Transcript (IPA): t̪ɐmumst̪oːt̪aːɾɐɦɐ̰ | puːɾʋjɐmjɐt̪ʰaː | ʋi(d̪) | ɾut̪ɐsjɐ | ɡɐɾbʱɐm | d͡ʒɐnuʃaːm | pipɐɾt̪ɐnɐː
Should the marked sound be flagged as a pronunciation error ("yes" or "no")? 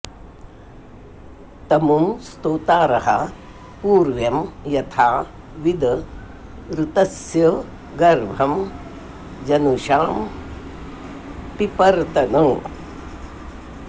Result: no